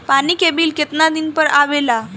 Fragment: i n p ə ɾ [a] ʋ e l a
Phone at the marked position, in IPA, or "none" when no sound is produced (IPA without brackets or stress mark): a